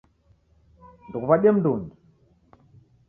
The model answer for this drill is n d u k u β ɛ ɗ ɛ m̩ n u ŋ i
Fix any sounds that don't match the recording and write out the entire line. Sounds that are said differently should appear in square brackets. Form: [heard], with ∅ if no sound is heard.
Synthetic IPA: n d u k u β [a] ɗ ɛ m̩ [d] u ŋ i